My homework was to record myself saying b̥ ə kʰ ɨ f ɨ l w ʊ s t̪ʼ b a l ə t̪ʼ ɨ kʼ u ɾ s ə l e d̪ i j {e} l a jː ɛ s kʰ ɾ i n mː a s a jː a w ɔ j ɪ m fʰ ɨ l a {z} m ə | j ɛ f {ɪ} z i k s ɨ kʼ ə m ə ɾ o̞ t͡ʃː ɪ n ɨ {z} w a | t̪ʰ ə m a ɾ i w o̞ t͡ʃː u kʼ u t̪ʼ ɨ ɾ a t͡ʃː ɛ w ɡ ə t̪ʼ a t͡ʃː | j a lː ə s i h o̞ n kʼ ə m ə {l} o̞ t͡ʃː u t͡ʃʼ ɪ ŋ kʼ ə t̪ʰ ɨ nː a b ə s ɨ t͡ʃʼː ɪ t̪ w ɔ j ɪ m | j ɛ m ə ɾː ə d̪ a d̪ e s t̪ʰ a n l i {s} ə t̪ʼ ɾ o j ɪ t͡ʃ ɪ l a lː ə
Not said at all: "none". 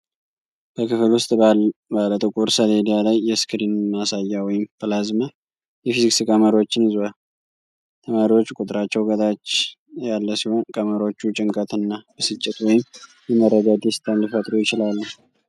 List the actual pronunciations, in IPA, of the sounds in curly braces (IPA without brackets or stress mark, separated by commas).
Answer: a, z, i, z, ɾ, f